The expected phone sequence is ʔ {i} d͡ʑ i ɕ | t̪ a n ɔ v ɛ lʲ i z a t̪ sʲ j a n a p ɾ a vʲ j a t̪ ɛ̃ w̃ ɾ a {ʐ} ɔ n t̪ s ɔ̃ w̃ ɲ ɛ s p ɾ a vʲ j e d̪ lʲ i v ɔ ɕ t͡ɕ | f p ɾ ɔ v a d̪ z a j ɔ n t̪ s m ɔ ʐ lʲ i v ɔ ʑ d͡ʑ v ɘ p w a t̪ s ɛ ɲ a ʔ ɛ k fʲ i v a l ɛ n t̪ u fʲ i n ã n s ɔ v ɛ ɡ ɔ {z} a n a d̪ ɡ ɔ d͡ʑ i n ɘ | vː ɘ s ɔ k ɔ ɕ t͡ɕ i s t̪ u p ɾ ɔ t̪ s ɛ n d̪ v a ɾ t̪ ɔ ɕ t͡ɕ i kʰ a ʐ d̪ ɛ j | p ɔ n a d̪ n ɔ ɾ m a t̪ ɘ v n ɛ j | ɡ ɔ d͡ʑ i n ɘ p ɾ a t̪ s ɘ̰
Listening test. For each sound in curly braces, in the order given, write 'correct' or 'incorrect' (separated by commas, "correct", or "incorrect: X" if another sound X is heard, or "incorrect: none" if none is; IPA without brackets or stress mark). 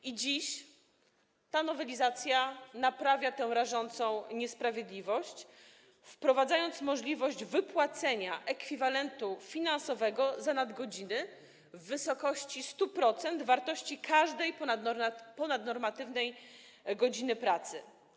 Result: correct, correct, correct